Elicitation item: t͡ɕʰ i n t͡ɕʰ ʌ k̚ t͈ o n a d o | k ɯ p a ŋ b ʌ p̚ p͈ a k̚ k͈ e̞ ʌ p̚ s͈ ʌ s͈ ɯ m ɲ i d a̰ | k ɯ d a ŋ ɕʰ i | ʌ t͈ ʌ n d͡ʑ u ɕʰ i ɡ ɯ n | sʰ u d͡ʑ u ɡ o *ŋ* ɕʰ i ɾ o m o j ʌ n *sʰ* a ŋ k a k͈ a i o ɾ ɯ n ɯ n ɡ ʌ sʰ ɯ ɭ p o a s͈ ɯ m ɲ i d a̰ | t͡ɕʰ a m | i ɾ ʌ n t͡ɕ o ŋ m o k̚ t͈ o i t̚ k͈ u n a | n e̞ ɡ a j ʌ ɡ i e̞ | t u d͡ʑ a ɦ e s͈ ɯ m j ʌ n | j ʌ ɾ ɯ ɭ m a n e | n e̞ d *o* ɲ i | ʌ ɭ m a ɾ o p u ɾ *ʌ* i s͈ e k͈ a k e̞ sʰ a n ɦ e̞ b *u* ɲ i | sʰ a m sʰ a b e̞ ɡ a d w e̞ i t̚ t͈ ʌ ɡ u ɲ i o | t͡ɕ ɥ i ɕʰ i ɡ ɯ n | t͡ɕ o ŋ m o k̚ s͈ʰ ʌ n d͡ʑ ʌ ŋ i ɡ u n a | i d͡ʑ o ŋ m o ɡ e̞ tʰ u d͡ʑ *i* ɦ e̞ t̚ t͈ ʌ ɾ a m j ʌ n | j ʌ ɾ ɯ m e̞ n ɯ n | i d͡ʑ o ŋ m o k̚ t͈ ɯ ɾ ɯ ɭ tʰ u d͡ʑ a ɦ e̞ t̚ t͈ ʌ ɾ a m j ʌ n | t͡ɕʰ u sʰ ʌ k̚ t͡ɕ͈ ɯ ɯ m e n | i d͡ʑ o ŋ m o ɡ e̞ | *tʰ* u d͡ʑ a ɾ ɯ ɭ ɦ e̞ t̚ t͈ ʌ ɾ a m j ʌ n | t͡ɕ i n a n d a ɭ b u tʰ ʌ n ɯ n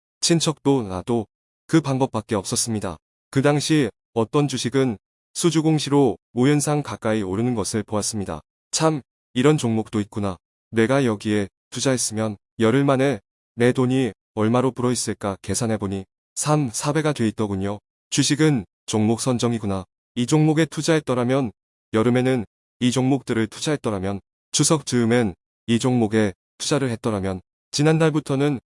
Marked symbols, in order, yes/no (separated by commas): yes, yes, yes, yes, no, no, yes